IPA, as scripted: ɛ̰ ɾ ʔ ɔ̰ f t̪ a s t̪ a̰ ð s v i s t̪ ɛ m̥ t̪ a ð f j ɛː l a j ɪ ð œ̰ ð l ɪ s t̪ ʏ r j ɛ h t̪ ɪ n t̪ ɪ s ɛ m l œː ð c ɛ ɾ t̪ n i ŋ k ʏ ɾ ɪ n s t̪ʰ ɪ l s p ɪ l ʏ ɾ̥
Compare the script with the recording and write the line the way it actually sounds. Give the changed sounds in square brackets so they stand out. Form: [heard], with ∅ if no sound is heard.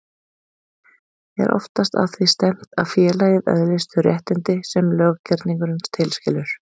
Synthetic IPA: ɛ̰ ɾ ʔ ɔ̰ f t̪ a s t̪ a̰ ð [θ] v i s t̪ ɛ m̥ t̪ a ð f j ɛː l a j ɪ ð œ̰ ð l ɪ s t̪ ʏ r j ɛ h t̪ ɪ n t̪ ɪ s ɛ m l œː [ɣ] c ɛ ɾ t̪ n i ŋ k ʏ ɾ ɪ n s t̪ʰ ɪ l s [c] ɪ l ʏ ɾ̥